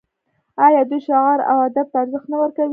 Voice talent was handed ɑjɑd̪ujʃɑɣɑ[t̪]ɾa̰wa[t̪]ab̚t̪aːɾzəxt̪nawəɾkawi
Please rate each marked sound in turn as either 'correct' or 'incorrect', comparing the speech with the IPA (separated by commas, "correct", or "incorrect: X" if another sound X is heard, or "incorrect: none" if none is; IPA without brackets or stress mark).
incorrect: none, incorrect: d̪